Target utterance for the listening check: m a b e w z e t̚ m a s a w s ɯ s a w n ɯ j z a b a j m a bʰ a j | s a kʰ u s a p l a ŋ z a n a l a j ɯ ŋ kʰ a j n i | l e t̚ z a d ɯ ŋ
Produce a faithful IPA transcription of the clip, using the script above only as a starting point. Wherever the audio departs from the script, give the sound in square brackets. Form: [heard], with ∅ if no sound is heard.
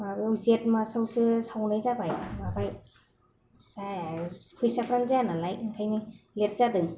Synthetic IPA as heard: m a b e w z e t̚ m a s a w s ɯ s a w n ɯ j z a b a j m a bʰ a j | s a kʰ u s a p [ɾ] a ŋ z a n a l a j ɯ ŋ kʰ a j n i | l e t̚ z a d ɯ ŋ